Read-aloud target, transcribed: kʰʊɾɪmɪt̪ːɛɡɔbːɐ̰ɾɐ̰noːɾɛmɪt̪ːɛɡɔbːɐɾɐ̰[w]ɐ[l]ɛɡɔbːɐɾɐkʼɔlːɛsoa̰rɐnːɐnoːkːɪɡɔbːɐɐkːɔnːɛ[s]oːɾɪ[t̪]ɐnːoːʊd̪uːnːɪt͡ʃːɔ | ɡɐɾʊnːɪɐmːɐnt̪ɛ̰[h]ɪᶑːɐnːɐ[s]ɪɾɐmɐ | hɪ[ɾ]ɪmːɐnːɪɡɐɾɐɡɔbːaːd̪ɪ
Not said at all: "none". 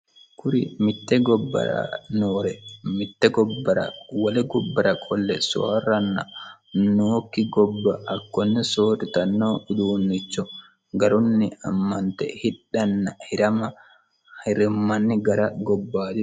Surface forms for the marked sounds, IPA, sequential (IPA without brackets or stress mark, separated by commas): w, l, s, t̪, h, h, ɾ